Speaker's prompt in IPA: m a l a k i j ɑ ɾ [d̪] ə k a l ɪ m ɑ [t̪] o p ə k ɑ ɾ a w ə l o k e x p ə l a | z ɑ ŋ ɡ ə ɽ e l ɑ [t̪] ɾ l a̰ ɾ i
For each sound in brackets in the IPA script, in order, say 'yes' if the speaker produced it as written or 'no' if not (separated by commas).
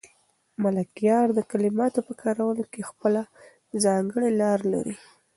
yes, yes, no